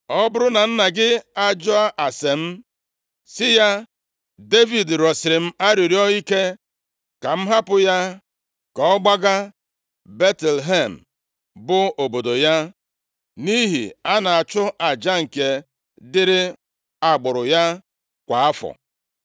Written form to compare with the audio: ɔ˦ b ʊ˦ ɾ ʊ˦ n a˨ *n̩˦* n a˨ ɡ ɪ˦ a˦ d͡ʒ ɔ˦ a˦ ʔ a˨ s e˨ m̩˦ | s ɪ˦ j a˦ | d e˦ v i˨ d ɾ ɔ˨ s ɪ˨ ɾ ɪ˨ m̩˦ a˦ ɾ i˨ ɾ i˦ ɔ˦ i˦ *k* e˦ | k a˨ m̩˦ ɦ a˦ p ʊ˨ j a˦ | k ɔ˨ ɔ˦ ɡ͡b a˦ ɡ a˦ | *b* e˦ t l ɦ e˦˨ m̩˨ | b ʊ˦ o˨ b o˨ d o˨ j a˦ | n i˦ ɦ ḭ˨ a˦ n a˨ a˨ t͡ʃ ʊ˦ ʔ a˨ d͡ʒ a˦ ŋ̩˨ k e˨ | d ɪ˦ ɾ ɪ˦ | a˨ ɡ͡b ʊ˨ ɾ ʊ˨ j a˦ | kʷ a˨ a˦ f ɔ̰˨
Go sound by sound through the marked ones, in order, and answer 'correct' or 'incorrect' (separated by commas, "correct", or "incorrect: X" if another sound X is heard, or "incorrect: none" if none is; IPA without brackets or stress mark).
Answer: correct, correct, correct